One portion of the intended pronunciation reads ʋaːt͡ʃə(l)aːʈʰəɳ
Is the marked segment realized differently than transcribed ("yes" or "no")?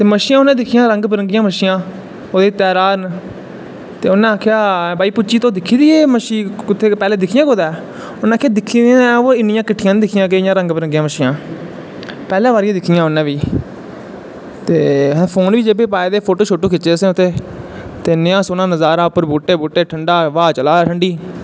no